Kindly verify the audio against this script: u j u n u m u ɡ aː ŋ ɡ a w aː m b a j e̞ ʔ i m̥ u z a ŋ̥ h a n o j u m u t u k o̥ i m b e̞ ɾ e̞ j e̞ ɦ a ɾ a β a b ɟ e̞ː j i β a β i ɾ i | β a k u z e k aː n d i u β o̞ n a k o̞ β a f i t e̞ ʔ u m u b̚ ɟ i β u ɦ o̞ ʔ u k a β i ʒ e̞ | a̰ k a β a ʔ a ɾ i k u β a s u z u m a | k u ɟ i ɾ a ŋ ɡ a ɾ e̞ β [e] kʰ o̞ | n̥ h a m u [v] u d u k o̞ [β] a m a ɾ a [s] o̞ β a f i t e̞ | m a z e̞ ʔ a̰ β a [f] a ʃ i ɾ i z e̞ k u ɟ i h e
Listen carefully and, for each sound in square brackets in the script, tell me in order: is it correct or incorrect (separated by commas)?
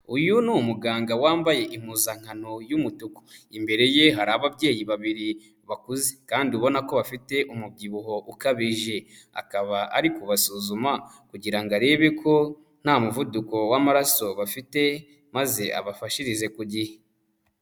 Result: correct, correct, incorrect, correct, correct